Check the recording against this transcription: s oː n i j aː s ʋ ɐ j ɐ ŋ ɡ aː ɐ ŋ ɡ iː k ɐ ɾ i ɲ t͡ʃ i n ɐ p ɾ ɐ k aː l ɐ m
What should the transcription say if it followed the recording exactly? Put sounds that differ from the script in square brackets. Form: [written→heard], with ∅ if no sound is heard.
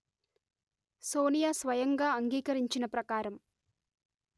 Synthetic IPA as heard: s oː n i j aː s ʋ ɐ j ɐ ŋ ɡ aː ɐ ŋ ɡ iː k ɐ ɾ i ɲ t͡ʃ i n ɐ p ɾ ɐ k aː [l→ɾ] ɐ m

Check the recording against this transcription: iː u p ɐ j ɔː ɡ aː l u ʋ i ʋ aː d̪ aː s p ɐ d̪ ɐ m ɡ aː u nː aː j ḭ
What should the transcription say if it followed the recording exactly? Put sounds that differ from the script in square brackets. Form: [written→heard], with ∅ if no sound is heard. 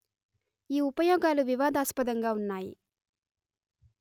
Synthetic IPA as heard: iː u p ɐ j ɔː ɡ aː l u ʋ i ʋ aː d̪ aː s p ɐ d̪ ɐ [m→ŋ] ɡ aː u nː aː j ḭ

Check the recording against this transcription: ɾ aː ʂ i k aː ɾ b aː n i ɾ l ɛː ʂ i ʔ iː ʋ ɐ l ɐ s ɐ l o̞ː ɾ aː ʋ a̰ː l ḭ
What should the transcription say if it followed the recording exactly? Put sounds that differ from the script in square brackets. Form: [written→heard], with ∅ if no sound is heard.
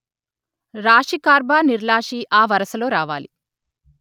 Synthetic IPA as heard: ɾ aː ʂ i k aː ɾ b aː n i ɾ l [ɛː→aː] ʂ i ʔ [iː→aː] ʋ ɐ [l→ɾ] ɐ s ɐ l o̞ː ɾ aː ʋ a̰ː l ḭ

